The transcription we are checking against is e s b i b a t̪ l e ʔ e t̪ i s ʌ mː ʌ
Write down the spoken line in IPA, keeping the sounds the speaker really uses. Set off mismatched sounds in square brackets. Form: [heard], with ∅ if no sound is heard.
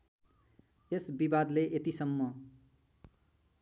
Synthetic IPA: e s b i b a [d̪] l e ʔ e t̪ i s ʌ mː ʌ

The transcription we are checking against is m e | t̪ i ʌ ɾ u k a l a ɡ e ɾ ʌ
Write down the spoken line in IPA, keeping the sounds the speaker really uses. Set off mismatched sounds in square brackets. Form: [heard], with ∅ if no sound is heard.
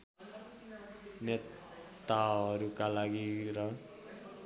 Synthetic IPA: [n] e | t̪ [a] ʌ ɾ u k a l a ɡ [i] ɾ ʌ

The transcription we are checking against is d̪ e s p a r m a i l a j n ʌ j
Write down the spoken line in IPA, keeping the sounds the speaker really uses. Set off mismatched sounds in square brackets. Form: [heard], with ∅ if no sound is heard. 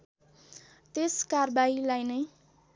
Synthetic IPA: [t̪] e s [k] a r [b] a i l a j n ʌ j

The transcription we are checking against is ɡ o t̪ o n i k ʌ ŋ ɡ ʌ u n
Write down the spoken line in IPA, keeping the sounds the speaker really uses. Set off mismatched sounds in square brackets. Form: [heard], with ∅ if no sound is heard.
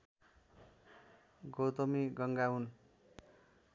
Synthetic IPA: ɡ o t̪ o [m] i [ɡ] ʌ ŋ ɡ [a] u n

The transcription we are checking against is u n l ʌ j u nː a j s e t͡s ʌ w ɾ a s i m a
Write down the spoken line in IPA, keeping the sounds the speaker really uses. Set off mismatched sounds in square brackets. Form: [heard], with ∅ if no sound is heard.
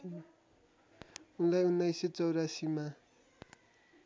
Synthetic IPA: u n l [a] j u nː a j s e t͡s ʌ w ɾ a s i m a

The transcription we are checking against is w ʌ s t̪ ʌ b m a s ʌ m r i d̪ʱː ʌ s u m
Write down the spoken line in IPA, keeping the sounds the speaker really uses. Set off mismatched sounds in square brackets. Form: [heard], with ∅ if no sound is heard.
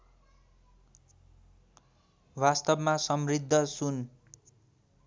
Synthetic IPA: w [a] s t̪ ʌ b m a s ʌ m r i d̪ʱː ʌ s u [n]

